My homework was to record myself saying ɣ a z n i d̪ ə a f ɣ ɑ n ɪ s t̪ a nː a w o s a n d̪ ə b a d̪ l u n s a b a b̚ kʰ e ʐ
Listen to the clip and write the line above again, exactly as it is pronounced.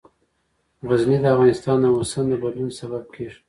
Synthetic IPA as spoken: ɣ a z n i d̪ ə a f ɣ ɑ n ɪ s t̪ ɑ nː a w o s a n d̪ ə b a d̪ l u n s a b a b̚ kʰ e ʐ